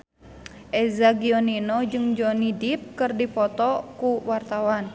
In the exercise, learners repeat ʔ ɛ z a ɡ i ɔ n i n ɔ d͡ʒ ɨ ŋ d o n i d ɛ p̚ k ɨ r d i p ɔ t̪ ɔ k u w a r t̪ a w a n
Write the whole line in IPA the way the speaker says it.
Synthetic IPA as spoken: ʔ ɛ z a ɡ i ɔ n i n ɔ d͡ʒ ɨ ŋ d͡ʒ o n i d i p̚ k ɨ r d i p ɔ t̪ ɔ k u w a r t̪ a w a n